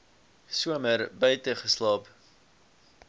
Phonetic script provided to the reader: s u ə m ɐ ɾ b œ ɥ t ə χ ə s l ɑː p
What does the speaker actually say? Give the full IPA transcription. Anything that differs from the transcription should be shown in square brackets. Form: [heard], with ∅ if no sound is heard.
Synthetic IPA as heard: s u ə m [ə] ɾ b œ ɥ t ə χ ə s l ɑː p